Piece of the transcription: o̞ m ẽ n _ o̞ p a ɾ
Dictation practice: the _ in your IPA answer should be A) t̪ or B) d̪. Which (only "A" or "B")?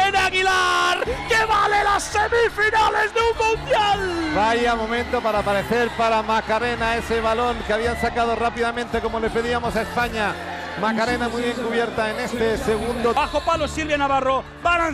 A